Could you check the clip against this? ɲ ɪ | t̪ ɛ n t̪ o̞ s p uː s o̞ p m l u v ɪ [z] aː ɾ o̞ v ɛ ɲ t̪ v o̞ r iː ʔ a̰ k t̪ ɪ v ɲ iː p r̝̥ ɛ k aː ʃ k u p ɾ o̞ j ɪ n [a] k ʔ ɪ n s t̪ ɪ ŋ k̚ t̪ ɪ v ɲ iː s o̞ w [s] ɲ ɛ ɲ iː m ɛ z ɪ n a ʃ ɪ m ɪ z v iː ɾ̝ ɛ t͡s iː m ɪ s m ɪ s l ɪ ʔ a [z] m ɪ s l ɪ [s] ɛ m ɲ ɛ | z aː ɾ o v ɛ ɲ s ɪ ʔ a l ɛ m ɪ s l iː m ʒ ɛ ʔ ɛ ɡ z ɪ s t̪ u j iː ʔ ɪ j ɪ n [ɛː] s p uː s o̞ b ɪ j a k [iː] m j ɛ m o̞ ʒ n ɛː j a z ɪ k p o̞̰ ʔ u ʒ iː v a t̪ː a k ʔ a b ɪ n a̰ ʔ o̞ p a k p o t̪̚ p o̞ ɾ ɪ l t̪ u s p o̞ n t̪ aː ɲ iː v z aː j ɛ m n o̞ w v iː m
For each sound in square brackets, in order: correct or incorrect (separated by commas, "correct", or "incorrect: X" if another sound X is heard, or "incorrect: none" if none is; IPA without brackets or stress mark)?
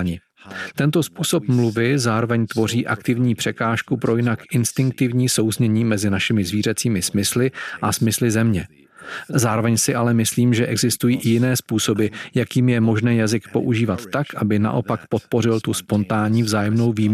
correct, correct, incorrect: z, incorrect: s, incorrect: z, correct, correct